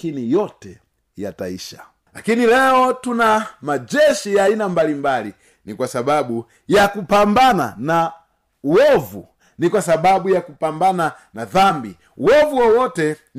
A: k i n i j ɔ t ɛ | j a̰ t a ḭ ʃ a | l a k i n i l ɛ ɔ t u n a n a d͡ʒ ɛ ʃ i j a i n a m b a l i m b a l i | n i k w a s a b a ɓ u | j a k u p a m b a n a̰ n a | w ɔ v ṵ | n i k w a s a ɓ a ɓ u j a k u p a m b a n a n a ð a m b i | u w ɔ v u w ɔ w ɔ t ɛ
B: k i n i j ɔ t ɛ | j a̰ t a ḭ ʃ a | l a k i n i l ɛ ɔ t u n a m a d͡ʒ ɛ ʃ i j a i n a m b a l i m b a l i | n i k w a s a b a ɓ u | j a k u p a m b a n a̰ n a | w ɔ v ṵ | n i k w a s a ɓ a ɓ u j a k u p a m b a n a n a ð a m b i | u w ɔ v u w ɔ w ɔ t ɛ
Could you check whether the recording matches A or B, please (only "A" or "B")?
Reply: B